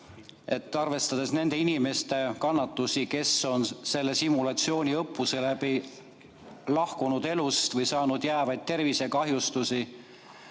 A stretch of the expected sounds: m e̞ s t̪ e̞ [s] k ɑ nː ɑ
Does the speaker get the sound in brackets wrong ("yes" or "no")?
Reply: yes